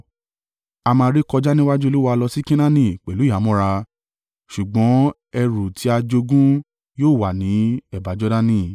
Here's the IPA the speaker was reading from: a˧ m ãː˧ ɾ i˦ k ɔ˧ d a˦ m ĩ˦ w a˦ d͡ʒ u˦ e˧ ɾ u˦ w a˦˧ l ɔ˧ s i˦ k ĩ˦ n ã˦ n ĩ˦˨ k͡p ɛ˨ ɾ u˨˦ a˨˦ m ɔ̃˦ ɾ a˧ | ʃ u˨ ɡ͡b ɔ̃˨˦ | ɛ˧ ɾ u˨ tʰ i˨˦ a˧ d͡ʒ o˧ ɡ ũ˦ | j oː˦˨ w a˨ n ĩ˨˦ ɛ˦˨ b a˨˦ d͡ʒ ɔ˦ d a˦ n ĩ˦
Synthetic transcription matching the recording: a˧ m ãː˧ ɾ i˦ k ɔ˧ d͡ʒ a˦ n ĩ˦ w a˦ d͡ʒ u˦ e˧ l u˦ w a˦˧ l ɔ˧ s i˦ k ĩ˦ n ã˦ n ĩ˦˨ k͡p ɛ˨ l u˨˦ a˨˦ m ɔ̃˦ ɾ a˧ | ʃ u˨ ɡ͡b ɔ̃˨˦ | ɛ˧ ɾ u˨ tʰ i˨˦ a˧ d͡ʒ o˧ ɡ ũ˦ | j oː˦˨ w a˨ n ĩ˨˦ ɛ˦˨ b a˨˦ d͡ʒ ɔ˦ d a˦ n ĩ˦